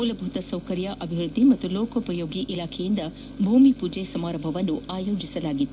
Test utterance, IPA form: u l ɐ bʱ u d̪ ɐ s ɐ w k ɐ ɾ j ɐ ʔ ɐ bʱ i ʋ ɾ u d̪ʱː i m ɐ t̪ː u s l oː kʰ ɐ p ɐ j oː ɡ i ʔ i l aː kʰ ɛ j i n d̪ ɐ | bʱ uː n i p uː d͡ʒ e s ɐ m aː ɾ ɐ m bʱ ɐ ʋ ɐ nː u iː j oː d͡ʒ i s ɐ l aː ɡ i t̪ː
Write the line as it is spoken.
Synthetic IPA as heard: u l ɐ bʱ u t̪ ɐ s ɐ w k ɐ ɾ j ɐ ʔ ɐ bʱ i ʋ ɾ u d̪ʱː i m ɐ t̪ː u l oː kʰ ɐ p ɐ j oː ɡ i ʔ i l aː kʰ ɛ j i n d̪ ɐ | bʱ uː m i p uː d͡ʒ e s ɐ m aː ɾ ɐ m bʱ ɐ ʋ ɐ nː u aː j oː d͡ʒ i s ɐ l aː ɡ i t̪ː